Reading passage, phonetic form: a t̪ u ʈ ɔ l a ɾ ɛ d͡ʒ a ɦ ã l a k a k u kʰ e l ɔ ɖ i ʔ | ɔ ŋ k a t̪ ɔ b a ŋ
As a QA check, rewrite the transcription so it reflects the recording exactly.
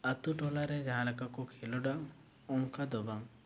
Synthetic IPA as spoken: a t̪ u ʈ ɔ l a ɾ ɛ d͡ʒ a ɦ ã l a k a k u kʰ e l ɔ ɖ a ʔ | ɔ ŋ k a d̪ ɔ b a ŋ

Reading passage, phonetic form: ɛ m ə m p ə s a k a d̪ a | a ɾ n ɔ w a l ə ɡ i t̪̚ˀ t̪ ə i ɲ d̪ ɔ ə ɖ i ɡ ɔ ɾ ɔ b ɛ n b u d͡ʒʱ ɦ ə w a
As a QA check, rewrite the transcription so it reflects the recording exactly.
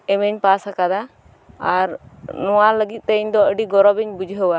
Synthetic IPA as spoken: ɛ m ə ɲ p a s a k a d̪ a | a ɾ n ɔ w a l ə ɡ i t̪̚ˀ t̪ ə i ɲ d̪ ɔ ə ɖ i ɡ ɔ ɾ ɔ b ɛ ɲ b u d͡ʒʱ ɦ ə w a

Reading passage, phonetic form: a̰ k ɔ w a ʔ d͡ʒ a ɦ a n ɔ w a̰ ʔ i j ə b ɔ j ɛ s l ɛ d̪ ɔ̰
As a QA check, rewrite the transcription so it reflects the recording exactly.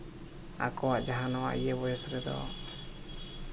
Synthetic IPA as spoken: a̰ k ɔ w a ʔ d͡ʒ a ɦ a n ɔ w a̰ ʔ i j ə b ɔ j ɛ s ɾ ɛ d̪ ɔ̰

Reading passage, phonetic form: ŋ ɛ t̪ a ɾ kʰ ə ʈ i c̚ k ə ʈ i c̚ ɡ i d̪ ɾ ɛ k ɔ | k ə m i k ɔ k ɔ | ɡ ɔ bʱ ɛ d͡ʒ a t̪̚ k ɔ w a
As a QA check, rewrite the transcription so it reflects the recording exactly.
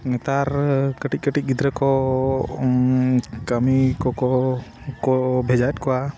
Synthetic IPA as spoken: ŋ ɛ t̪ a ɾ k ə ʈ i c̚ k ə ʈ i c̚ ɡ i d̪ ɾ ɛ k ɔ | k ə m i k ɔ k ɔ | k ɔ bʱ ɛ d͡ʒ a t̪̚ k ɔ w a

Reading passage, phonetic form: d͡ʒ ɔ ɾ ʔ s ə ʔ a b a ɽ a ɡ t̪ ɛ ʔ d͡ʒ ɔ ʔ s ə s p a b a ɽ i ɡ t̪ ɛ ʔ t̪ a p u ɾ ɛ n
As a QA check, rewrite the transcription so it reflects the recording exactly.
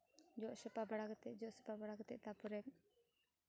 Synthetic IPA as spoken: d͡ʒ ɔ ʔ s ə p a b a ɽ a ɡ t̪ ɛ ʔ d͡ʒ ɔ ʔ s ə p a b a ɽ a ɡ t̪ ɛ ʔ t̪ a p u ɾ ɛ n

